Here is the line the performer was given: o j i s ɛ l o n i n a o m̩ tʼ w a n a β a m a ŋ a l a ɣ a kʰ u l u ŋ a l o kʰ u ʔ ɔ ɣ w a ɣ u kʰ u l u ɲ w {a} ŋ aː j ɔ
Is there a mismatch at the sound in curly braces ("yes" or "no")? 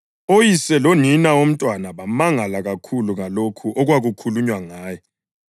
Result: no